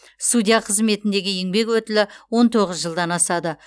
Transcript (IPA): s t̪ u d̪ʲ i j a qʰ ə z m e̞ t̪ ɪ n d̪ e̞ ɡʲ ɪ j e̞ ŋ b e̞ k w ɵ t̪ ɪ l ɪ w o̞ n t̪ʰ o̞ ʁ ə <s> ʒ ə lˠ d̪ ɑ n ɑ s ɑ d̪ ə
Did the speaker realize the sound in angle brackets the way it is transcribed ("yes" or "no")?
no